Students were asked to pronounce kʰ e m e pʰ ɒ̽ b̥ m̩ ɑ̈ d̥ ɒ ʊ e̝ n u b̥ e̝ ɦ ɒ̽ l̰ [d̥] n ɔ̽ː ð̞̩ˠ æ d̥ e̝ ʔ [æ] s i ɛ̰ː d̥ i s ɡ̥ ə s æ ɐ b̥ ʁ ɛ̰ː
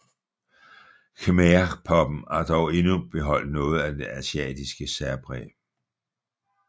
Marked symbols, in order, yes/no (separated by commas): yes, yes